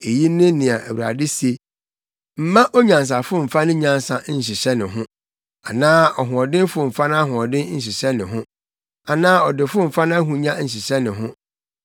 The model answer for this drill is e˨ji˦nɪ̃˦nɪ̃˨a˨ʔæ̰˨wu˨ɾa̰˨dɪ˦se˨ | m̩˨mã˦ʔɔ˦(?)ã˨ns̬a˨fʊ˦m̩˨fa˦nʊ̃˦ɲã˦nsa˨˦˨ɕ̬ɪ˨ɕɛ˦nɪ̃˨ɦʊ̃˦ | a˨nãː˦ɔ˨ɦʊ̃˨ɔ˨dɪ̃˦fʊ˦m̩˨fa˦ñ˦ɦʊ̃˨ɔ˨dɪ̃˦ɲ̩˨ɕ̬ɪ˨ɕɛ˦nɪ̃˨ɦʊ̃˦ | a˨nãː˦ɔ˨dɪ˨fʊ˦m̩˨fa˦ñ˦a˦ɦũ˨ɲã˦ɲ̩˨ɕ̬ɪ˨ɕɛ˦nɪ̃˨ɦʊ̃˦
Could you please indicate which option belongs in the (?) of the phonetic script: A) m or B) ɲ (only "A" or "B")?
B